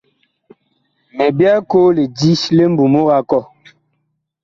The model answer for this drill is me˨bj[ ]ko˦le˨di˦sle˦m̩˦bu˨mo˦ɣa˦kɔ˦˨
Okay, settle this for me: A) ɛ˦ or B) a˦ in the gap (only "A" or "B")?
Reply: B